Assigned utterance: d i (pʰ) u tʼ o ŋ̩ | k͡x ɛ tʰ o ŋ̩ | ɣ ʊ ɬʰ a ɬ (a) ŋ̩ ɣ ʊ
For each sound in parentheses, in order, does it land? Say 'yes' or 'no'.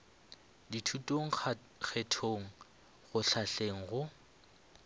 no, no

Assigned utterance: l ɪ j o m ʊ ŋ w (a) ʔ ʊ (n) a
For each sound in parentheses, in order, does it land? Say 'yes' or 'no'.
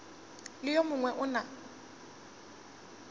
no, yes

